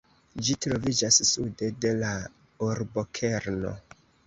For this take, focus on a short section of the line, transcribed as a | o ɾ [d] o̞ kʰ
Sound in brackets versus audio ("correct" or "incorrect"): incorrect